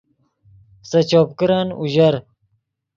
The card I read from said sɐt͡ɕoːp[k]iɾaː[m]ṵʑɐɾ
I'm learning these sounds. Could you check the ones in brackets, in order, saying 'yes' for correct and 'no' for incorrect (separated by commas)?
yes, no